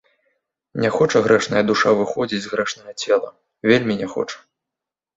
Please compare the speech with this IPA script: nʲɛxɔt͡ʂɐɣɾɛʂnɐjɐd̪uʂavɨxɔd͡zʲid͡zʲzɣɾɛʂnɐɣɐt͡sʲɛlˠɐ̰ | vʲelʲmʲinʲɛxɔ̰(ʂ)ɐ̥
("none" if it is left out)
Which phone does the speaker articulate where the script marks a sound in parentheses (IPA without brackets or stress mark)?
t͡ʂ